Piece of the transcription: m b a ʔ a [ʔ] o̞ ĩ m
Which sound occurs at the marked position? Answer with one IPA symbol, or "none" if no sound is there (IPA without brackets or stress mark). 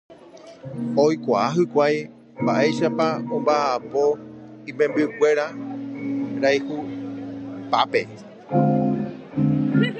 p